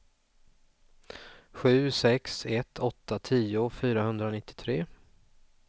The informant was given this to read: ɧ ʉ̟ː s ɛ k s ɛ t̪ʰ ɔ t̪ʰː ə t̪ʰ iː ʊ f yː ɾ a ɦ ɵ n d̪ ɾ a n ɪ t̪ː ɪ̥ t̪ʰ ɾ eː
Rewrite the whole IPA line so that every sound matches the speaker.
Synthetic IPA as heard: ɧ ʉ̟ː s ɛ k s ɛ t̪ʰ ɔ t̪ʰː a t̪ʰ iː ʊ f yː ɾ a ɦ ɵ n d̪ ɾ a n ɪ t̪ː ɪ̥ t̪ʰ ɾ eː